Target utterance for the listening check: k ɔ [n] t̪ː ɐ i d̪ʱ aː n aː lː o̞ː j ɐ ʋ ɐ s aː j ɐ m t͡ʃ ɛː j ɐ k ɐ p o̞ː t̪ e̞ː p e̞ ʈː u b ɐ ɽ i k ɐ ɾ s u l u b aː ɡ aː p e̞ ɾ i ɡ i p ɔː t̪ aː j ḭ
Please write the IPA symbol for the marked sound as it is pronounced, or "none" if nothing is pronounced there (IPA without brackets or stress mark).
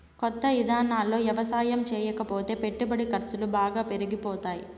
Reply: none